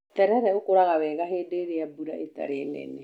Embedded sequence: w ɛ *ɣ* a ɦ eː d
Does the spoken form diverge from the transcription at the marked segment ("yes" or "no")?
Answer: no